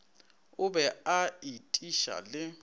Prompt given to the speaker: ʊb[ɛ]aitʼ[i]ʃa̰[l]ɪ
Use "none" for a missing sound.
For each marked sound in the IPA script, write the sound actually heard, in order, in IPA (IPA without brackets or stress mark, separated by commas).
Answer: ɛ, i, l